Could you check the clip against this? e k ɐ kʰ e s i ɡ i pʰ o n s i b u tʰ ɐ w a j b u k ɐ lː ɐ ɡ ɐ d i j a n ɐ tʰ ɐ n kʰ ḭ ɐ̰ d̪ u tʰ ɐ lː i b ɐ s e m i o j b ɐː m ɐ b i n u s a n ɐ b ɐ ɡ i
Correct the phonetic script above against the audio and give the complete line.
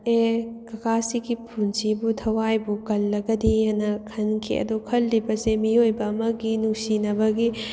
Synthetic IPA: e k ɐ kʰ a s i ɡ i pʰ u n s i b u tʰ ɐ w a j b u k ɐ lː ɐ ɡ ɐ d i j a n ɐ kʰ ɐ n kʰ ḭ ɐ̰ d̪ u kʰ ɐ lː i b ɐ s e m i o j b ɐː m ɐ ɡ i n u s i n ɐ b ɐ ɡ i